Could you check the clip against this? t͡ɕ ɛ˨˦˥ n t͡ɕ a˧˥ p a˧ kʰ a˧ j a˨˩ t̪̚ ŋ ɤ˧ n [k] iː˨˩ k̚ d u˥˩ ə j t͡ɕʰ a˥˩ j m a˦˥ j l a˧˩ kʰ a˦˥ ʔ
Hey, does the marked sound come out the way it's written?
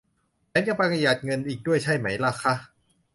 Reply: no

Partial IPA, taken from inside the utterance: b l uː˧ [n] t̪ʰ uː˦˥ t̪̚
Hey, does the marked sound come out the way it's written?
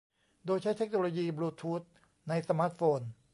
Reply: no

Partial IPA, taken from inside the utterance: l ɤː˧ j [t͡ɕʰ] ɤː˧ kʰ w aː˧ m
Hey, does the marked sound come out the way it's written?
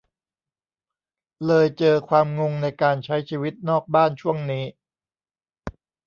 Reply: no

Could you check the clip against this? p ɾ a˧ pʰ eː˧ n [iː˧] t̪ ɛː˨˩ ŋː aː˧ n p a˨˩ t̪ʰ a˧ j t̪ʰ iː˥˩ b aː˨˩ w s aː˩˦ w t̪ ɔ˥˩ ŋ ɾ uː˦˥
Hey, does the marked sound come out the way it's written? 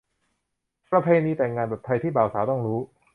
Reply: yes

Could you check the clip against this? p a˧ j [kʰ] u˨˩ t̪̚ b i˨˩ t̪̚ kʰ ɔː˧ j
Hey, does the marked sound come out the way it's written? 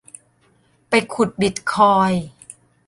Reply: yes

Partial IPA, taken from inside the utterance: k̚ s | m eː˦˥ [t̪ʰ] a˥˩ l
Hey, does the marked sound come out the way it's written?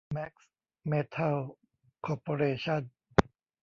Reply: yes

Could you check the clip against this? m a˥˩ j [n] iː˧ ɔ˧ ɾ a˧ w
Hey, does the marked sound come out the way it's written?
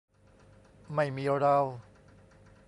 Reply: no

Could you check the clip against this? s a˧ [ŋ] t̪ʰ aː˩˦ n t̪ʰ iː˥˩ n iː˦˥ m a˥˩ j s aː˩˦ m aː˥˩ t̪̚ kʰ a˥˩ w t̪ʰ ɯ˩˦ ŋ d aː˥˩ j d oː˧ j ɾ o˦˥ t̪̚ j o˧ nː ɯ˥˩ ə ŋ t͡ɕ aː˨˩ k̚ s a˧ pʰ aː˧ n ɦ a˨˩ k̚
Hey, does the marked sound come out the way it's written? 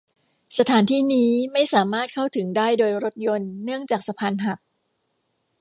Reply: no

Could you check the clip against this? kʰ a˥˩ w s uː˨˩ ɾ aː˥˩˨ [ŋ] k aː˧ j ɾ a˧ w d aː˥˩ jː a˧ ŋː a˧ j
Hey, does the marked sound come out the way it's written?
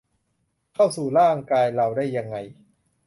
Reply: yes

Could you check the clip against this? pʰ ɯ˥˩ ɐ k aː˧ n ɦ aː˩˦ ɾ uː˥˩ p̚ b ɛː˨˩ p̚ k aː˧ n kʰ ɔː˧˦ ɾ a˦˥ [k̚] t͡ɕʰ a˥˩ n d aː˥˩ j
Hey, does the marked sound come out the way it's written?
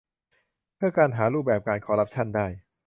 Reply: no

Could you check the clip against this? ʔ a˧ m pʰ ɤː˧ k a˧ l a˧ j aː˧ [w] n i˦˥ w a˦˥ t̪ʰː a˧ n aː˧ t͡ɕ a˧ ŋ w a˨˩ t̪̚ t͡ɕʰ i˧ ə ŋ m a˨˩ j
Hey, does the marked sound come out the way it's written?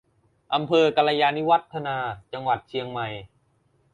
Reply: no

